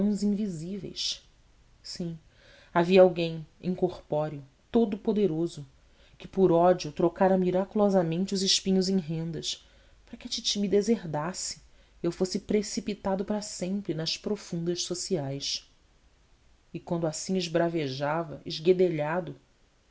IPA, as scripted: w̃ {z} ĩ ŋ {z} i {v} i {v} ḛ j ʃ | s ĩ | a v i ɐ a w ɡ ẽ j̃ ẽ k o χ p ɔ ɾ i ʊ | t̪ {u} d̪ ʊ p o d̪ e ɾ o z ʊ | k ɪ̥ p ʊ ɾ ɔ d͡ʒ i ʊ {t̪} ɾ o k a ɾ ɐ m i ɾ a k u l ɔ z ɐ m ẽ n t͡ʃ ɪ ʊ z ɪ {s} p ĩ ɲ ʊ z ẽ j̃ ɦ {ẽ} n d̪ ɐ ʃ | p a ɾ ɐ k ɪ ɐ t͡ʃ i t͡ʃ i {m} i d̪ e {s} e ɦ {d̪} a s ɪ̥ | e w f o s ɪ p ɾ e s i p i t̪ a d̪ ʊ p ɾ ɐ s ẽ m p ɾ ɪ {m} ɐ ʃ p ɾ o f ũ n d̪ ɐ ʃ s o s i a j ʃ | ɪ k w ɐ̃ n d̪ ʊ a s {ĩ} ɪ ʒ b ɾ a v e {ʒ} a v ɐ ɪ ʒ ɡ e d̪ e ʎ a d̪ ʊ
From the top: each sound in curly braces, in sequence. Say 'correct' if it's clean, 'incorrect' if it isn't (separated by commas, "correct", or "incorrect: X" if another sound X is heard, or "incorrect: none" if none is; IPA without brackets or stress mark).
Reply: correct, incorrect: v, incorrect: z, correct, incorrect: o, correct, incorrect: ʃ, correct, correct, incorrect: z, correct, incorrect: n, correct, correct